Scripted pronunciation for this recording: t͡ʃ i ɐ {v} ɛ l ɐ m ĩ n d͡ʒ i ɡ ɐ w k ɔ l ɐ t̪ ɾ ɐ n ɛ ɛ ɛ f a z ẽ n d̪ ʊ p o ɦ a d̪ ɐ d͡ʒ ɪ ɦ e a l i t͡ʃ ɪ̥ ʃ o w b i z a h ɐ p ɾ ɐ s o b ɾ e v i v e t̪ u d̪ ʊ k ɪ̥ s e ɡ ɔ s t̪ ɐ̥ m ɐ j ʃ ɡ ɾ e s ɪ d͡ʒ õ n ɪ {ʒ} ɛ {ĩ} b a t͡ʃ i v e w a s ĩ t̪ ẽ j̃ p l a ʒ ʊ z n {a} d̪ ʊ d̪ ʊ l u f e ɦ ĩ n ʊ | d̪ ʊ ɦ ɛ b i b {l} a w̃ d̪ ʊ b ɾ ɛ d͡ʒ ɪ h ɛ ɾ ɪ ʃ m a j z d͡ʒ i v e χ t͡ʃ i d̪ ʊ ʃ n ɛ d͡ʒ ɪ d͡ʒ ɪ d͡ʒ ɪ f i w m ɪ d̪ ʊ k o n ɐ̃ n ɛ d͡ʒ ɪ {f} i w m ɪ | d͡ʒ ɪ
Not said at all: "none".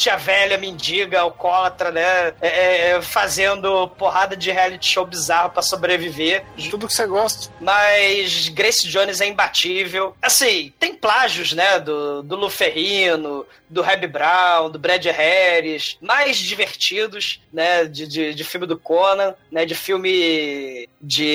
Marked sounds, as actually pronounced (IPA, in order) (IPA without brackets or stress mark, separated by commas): v, z, ĩ, ɛ, ɾ, f